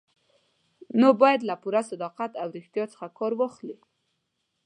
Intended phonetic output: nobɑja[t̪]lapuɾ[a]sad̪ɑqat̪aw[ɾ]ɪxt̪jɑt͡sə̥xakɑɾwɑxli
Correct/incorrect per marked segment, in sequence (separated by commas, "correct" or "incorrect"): incorrect, correct, correct